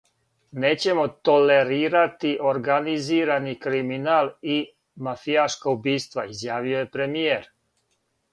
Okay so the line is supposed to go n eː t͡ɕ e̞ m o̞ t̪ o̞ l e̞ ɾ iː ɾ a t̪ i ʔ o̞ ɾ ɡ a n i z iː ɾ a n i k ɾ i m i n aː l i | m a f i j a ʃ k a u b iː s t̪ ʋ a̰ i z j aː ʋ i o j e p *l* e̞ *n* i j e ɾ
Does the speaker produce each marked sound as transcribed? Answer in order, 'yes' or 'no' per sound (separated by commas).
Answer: no, no